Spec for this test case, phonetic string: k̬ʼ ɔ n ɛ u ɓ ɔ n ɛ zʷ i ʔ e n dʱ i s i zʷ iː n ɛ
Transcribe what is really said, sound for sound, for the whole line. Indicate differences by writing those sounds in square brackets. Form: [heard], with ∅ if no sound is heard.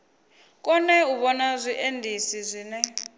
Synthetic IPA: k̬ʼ ɔ n ɛ u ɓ ɔ n [a] zʷ i ʔ e n dʱ i s i zʷ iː n ɛ